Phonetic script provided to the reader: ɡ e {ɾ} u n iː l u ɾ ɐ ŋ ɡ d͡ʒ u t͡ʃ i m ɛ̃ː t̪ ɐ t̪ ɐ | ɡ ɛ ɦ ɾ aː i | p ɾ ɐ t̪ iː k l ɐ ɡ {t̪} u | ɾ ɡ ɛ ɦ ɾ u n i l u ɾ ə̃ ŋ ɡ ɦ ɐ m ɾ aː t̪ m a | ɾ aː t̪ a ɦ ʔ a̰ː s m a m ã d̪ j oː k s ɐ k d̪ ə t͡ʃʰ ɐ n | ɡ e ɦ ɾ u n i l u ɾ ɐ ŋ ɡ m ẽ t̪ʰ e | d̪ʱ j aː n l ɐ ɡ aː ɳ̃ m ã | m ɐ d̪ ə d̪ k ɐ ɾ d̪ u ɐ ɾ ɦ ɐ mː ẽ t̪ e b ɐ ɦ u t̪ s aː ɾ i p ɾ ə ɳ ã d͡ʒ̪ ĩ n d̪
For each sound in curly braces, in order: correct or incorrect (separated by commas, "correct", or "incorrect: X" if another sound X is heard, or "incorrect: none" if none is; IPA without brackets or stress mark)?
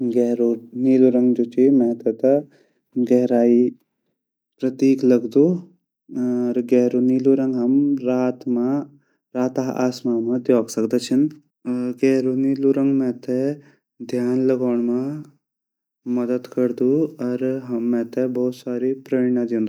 correct, incorrect: d̪